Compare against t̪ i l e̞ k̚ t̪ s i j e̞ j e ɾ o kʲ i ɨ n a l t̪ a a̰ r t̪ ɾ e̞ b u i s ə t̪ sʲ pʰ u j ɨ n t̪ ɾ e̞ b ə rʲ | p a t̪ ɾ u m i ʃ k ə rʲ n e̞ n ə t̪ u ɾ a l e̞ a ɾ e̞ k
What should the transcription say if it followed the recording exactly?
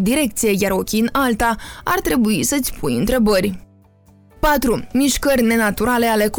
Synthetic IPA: d̪ i ɾ e̞ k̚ t̪ s i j e̞ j a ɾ o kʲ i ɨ n a l t̪ a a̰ r t̪ ɾ e̞ b u i s ə t̪ sʲ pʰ u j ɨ n t̪ ɾ e̞ b ə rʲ | p a t̪ ɾ u m i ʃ k ə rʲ n e̞ n a t̪ u ɾ a l e̞ a l e̞ k